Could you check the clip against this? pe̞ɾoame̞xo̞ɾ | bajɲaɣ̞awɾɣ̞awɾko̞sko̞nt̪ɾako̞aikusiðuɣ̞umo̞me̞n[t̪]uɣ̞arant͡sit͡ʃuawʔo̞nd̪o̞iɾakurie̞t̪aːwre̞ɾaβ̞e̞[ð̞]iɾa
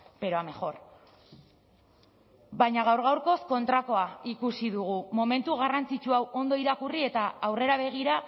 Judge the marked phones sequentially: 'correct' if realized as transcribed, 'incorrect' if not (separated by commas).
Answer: correct, incorrect